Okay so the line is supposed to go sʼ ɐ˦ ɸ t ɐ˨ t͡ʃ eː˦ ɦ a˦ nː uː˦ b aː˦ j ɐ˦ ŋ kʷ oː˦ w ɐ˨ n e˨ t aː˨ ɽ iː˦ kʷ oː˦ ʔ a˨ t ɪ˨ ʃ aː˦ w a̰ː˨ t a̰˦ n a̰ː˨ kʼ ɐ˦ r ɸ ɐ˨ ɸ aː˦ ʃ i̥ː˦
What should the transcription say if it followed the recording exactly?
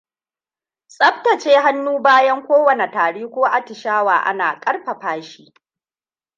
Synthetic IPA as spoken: sʼ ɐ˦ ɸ t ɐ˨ t͡ʃ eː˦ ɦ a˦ nː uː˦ b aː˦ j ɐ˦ ŋ kʷ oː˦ w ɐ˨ n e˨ t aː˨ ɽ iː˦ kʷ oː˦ ʔ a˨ t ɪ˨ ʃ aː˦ w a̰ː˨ ʔ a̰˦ n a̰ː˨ kʼ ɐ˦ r ɸ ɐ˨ ɸ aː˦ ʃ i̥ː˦